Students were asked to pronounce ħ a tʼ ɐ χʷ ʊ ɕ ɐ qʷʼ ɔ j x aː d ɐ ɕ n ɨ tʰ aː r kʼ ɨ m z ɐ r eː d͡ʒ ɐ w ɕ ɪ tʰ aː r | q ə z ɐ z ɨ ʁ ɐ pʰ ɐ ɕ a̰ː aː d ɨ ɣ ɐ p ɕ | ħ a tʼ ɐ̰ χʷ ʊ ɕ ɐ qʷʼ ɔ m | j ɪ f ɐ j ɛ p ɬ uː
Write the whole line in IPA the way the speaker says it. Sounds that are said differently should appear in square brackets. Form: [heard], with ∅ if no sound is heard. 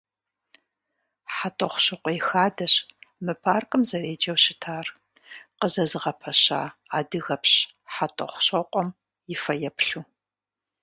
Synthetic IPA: ħ a tʼ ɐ χʷ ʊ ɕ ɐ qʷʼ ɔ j x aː d ɐ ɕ [m] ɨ [pʰ] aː r kʼ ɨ m z ɐ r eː d͡ʒ ɐ w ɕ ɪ tʰ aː r | q ə z ɐ z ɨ ʁ ɐ pʰ ɐ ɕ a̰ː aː d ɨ ɣ ɐ p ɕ | ħ a tʼ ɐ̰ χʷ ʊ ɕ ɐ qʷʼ ɔ m | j ɪ f ɐ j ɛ p ɬ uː